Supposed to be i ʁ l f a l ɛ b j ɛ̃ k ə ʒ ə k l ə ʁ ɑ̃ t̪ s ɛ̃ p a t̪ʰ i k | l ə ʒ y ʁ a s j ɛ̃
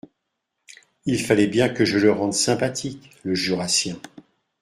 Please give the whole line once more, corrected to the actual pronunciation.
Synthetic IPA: i l f a l ɛ b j ɛ̃ k ə ʒ ə l ə ʁ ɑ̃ d̪ s ɛ̃ p a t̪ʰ i k | l ə ʒ y ʁ a s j ɛ̃